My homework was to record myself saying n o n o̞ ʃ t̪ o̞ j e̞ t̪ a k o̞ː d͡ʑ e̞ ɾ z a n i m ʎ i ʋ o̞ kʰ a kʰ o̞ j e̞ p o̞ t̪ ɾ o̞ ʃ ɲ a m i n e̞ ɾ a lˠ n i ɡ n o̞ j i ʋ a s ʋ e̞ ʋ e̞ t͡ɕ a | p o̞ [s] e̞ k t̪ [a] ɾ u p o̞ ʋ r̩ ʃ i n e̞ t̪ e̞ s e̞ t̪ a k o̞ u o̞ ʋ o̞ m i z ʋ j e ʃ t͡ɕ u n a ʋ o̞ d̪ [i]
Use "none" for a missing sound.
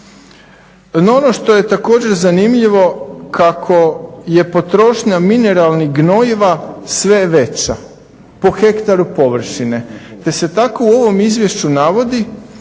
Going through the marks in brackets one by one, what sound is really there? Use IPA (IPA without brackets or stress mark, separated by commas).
x, a, i